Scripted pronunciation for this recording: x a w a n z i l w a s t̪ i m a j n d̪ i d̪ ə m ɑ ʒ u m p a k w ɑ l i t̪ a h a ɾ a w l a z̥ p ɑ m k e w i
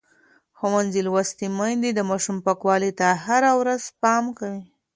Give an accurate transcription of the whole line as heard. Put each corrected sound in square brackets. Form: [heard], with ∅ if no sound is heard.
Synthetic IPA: x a w a n z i l w a s t̪ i m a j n d̪ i d̪ ə m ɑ [ʃ] u m p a k w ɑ l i t̪ a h a ɾ a w [ɾ] a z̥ p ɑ m k [a] w i

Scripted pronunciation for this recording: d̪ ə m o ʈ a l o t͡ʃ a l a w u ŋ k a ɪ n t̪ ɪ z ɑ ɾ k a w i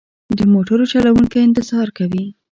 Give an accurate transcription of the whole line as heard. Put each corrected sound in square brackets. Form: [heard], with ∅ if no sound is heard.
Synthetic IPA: d̪ ə m o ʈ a [ɾ] o t͡ʃ a l a w u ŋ k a ɪ n t̪ ɪ z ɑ ɾ k a w i

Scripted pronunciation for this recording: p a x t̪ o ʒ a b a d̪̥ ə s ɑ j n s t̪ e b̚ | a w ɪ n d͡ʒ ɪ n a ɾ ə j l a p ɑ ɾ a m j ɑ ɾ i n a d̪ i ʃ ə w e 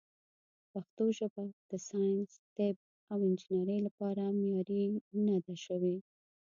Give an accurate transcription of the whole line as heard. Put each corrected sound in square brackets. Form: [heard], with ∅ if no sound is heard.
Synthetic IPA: p a x t̪ o ʒ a b a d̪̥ ə s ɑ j n s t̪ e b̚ | a w ɪ n d͡ʒ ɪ n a ɾ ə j l a p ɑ ɾ a m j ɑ ɾ i n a d̪ [a] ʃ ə w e

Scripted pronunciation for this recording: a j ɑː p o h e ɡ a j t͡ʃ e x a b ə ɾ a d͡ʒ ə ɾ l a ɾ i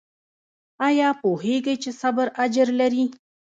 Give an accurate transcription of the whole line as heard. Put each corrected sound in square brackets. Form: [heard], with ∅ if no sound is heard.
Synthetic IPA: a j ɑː p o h e ɡ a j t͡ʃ e [s] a b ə ɾ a d͡ʒ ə ɾ l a ɾ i

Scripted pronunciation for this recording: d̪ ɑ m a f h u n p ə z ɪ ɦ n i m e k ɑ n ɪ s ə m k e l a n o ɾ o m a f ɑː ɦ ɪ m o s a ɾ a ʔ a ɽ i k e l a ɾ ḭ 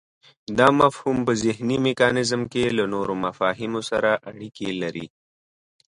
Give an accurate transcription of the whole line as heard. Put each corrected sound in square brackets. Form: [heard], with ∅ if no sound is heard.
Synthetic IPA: d̪ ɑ m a f h u [m] p ə z ɪ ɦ n i m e k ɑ n ɪ [z] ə m k e l a n o ɾ o m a f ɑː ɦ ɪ m o s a ɾ a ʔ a ɽ i k e l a ɾ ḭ

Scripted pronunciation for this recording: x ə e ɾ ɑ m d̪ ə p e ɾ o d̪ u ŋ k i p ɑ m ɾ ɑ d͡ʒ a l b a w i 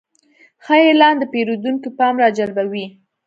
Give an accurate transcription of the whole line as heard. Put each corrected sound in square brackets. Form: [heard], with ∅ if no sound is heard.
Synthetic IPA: x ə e [l] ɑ [n] d̪ ə p e ɾ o d̪ u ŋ k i p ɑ m ɾ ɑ d͡ʒ a l b a w i

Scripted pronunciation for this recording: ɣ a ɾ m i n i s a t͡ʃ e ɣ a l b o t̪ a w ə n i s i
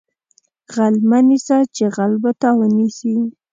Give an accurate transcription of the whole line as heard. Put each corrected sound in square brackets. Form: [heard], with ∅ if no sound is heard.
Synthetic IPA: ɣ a [l] m [a] n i s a t͡ʃ e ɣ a l b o t̪ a w ə n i s i

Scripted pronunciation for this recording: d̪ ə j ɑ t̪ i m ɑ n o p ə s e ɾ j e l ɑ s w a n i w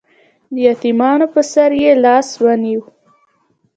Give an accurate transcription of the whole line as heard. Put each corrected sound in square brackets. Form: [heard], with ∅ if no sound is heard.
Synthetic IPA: d̪ ə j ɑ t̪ i m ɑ n o p ə s [a] ɾ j e l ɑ s w a n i w

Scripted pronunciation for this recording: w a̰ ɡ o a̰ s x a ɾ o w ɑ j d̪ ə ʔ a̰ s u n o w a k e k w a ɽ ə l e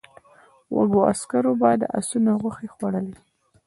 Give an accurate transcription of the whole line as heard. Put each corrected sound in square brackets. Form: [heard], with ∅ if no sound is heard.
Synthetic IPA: w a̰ ɡ o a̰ s [k] a ɾ o [b] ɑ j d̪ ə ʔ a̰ s u n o [ɣ] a [x] e [x] w a ɽ ə l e

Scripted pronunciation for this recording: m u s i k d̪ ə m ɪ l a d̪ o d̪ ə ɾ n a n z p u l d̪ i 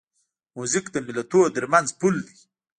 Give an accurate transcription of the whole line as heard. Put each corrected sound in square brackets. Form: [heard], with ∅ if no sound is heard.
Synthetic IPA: m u [z] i k d̪ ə m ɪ l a [t̪] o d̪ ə ɾ [m] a n z p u l d̪ i

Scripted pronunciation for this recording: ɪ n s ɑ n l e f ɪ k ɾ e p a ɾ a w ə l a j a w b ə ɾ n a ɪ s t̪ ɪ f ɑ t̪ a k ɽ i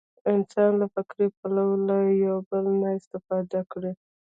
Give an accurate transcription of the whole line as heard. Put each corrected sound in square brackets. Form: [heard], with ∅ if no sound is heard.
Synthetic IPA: ɪ n s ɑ n l [a] f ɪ k ɾ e p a [l] a w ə l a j a w b ə [l] n a ɪ s t̪ ɪ f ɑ [d̪] a k ɽ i

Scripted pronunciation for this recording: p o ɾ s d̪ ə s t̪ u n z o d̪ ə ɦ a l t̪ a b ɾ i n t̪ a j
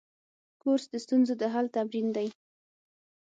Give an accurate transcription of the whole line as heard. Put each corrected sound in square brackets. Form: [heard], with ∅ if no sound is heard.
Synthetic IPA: [k] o ɾ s d̪ ə s t̪ u n z o d̪ ə ɦ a l t̪ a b ɾ i n [d̪] a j

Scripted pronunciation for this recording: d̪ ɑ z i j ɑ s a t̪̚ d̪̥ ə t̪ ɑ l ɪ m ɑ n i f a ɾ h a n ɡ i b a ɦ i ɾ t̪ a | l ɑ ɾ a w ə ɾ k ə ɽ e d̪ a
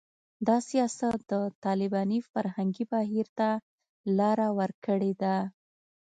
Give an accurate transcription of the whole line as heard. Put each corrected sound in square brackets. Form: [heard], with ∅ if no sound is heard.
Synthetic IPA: d̪ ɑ [s] i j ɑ s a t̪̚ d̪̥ ə t̪ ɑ l ɪ [b] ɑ n i f a ɾ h a [ŋ] ɡ i b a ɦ i ɾ t̪ a | l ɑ ɾ a w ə ɾ k ə ɽ e d̪ a

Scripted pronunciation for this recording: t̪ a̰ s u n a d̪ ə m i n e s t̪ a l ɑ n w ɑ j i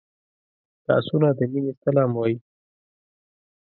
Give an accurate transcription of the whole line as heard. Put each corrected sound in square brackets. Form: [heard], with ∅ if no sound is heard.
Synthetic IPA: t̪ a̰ s u n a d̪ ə m i n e s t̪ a l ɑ [m] w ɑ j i

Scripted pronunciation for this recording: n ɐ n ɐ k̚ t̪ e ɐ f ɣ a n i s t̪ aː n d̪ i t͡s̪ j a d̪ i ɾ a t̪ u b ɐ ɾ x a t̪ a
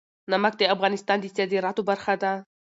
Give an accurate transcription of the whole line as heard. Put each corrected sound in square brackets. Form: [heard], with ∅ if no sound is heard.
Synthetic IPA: n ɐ [m] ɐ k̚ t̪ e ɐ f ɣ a n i s t̪ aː n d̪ i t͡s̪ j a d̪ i ɾ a t̪ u b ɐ ɾ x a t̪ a

